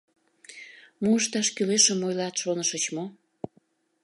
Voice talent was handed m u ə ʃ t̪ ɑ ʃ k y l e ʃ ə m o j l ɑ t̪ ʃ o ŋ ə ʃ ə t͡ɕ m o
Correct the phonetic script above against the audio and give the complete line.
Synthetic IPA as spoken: m u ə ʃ t̪ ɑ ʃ k y l e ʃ ə m o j l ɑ t̪ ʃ o n ə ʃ ə t͡ɕ m o